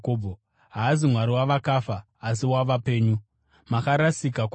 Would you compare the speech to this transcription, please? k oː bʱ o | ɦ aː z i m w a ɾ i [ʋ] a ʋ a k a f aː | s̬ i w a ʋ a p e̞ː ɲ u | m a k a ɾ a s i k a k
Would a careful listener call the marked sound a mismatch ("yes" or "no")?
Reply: yes